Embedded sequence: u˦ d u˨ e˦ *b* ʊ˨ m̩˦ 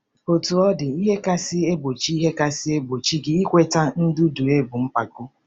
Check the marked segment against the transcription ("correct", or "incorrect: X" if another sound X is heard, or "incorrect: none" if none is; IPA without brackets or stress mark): correct